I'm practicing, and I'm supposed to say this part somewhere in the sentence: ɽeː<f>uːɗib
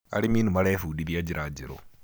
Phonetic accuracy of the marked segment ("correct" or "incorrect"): correct